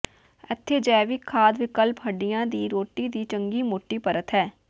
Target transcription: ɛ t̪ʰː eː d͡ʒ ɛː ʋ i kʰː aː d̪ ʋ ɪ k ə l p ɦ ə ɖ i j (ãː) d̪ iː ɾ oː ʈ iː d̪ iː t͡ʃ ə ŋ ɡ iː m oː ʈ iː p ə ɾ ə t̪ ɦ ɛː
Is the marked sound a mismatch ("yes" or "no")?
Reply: no